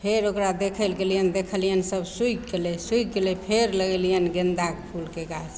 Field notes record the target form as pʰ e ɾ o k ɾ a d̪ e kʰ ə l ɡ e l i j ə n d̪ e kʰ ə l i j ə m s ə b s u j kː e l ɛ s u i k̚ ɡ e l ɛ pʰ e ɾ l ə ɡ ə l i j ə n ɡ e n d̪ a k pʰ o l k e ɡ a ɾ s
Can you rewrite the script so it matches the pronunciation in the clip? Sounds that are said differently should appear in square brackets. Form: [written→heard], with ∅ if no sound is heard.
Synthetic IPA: pʰ e ɾ o k ɾ a d̪ e kʰ ə l ɡ e l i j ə n d̪ e kʰ ə l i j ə [m→n] s ə b s u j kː e l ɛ s u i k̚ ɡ e l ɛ pʰ e ɾ l ə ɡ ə l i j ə n ɡ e n d̪ a k pʰ [o→u] l k e ɡ a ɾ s